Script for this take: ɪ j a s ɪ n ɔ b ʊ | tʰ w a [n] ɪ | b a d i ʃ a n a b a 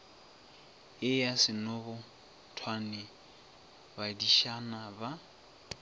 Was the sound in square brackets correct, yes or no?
yes